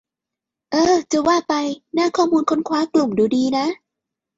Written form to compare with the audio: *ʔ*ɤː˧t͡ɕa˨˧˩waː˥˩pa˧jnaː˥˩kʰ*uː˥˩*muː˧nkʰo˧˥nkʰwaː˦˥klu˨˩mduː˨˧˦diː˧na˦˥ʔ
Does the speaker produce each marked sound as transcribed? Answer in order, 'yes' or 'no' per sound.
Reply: yes, no

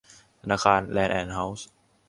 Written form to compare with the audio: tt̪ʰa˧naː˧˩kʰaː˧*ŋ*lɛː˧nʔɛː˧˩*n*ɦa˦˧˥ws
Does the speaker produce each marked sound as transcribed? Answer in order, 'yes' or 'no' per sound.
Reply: no, yes

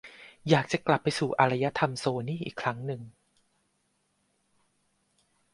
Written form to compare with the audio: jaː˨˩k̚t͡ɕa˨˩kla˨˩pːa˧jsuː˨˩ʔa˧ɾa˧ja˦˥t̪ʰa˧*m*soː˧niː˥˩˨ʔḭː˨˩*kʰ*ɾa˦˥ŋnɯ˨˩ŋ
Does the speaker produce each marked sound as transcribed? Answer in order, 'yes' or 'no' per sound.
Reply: yes, yes

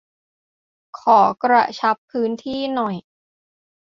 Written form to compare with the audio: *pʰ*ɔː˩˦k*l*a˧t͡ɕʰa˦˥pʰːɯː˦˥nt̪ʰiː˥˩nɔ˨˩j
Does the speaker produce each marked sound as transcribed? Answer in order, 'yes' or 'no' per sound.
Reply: no, no

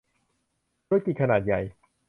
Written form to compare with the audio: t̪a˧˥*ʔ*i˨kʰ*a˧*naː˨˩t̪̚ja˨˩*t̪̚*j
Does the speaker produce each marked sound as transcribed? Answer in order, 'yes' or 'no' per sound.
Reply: no, yes, no

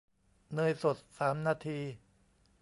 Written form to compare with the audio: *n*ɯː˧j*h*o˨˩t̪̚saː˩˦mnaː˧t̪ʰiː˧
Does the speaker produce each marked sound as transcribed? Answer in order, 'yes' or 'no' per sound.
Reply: yes, no

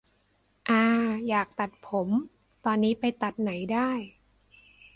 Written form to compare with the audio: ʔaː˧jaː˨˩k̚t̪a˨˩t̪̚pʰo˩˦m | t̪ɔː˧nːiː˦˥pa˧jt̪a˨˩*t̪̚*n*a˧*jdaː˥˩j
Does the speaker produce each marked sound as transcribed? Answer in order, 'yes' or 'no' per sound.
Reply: yes, no

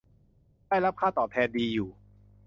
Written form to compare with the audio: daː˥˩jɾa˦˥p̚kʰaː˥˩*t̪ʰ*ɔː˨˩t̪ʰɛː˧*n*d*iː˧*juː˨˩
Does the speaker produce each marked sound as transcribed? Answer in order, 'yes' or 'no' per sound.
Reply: no, yes, yes

